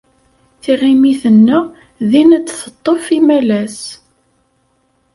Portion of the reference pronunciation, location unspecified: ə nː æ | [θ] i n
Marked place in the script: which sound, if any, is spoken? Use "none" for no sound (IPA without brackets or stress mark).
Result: ð